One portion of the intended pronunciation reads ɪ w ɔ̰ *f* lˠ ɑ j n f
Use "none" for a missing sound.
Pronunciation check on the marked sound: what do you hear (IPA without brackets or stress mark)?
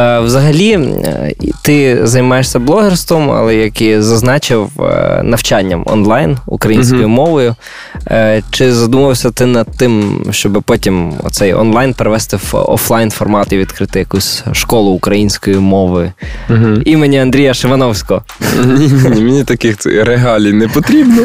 f